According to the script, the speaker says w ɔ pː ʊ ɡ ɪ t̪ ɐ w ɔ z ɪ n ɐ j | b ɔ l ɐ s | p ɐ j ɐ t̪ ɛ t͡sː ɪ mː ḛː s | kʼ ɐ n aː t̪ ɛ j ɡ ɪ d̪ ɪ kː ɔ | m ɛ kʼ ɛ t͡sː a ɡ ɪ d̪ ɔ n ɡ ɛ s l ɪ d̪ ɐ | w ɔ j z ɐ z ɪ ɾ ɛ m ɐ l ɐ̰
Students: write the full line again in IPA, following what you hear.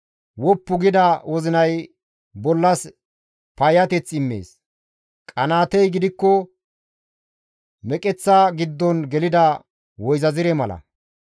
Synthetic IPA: w ɔ pː ʊ ɡ ɪ d̪ ɐ w ɔ z ɪ n ɐ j | b ɔ lː ɐ s | p ɐ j ɐ t̪ ɛ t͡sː ɪ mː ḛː s | kʼ ɐ n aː t̪ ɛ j ɡ ɪ d̪ ɪ kː ɔ | m ɛ kʼ ɛ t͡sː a ɡ ɪ d̪ː ɔ n ɡ ɛ l ɪ d̪ ɐ | w ɔ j z ɐ z ɪ ɾ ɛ m ɐ l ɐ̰